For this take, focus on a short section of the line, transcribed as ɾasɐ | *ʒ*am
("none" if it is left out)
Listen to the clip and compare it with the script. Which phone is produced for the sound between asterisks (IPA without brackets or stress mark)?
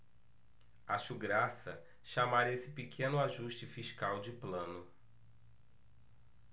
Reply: ʃ